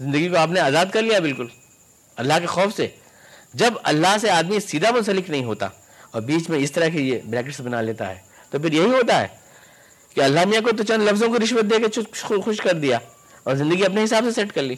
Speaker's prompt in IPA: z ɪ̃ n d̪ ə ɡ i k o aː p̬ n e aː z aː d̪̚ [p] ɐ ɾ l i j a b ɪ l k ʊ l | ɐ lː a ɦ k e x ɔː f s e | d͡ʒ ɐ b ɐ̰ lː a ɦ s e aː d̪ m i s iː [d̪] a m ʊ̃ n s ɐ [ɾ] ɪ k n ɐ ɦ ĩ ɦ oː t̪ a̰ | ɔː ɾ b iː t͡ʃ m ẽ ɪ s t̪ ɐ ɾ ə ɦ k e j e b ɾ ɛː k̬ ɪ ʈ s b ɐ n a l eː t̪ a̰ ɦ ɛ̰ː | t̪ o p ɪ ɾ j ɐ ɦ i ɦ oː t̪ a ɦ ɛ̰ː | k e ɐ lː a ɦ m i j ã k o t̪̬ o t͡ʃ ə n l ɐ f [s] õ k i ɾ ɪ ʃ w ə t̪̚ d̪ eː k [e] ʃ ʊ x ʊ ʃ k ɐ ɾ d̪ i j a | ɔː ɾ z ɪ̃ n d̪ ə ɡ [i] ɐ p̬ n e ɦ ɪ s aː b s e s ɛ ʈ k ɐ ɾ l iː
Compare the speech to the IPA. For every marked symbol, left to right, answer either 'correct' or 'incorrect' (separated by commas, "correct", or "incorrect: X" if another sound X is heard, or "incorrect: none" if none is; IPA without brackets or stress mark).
incorrect: k, correct, incorrect: l, incorrect: z, correct, correct